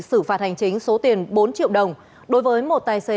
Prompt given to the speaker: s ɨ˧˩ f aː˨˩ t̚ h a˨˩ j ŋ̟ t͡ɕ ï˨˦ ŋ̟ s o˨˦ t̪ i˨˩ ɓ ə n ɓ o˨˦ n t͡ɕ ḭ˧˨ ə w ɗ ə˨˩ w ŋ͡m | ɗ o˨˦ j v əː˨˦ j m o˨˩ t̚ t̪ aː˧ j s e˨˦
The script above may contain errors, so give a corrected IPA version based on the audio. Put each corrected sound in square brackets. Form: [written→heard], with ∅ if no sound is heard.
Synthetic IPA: s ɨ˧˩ f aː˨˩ t̚ h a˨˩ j ŋ̟ t͡ɕ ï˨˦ ŋ̟ s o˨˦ t̪ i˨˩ [ɓ→∅] ə n ɓ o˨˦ n t͡ɕ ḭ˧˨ ə w ɗ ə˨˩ w ŋ͡m | ɗ o˨˦ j v əː˨˦ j m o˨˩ t̚ t̪ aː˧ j s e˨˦